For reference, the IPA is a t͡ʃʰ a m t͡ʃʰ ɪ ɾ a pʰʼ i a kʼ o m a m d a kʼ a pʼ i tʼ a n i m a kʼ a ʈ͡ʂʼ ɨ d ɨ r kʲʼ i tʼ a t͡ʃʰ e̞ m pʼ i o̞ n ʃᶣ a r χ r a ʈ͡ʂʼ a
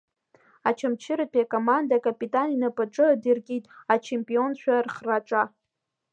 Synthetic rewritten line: a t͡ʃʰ a m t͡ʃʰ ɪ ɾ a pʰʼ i a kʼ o m a n d a kʼ a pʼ i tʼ a n i n a pʼ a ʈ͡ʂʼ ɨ d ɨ r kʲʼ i tʼ a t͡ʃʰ e̞ m pʼ i o̞ n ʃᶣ a r χ r a ʈ͡ʂʼ a